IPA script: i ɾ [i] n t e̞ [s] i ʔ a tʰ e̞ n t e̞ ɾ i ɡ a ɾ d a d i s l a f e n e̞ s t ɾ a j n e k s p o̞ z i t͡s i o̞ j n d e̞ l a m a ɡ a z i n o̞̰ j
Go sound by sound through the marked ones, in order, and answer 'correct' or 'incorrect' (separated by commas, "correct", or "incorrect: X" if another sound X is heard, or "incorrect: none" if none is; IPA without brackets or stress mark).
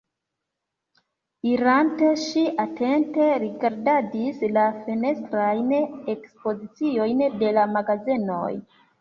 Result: incorrect: a, incorrect: ʃ